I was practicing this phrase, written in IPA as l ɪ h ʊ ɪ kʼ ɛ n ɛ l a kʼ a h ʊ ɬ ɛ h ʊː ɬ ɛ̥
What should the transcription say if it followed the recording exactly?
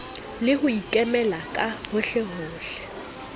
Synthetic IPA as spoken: l ɪ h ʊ i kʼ ɛ m ɛ l a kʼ a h ʊ ɬ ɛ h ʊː ɬ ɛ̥